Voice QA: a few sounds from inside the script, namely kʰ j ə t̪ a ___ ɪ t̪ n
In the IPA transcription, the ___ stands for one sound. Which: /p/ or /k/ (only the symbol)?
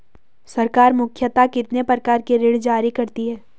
k